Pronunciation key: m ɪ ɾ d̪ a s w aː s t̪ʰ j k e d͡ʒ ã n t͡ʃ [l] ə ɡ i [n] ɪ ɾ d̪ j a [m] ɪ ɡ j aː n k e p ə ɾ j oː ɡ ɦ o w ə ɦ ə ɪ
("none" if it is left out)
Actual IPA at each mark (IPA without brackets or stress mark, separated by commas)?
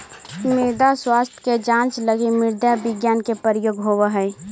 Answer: l, m, b